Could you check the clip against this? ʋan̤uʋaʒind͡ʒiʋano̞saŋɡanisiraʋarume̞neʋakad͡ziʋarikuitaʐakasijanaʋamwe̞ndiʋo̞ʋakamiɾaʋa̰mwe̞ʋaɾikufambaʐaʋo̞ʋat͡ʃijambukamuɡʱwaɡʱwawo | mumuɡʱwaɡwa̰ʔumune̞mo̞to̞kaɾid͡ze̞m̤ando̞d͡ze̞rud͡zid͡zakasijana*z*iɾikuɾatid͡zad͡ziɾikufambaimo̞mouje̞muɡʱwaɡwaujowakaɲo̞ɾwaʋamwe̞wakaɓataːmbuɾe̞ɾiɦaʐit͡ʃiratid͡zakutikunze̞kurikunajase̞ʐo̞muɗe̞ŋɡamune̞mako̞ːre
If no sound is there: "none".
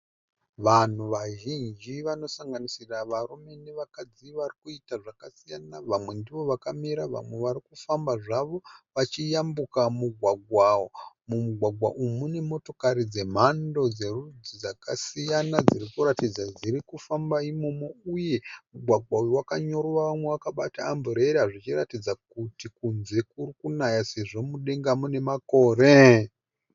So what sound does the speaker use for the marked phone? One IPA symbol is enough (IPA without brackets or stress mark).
d͡z